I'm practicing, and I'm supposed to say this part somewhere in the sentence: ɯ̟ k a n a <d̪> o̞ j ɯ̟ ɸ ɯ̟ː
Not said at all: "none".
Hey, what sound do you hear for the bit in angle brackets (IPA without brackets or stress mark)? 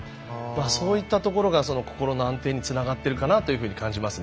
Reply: t̪